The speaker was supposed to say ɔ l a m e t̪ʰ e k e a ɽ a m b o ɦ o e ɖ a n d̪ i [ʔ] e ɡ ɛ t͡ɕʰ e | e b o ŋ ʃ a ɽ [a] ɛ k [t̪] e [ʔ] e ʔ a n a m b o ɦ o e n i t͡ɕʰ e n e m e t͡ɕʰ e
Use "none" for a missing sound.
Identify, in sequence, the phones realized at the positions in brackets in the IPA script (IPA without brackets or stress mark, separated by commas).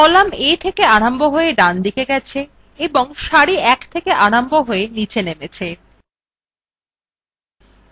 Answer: k, i, t̪ʰ, k